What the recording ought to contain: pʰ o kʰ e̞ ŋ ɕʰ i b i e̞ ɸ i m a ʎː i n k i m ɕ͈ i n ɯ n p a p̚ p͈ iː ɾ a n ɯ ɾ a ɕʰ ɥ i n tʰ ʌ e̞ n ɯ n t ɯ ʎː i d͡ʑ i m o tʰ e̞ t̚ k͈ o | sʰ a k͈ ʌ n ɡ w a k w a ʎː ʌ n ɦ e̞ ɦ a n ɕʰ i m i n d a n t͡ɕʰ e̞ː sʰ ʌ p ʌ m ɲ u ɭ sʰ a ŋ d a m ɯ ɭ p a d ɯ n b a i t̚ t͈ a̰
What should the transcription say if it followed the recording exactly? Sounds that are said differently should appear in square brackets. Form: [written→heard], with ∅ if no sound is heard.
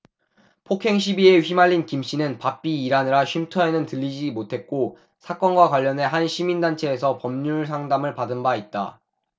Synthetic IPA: pʰ o kʰ e̞ ŋ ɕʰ i b i e̞ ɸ i m a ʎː i n k i m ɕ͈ i n ɯ n p a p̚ p͈ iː ɾ a n ɯ ɾ a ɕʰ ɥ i [n→m] tʰ ʌ e̞ n ɯ n t ɯ ʎː i d͡ʑ i m o tʰ e̞ t̚ k͈ o | sʰ a k͈ ʌ n ɡ w a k w a ʎː ʌ n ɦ e̞ ɦ a n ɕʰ i m i n d a n t͡ɕʰ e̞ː sʰ ʌ p ʌ m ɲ u ɭ sʰ a ŋ d a m ɯ ɭ p a d ɯ n b a i t̚ t͈ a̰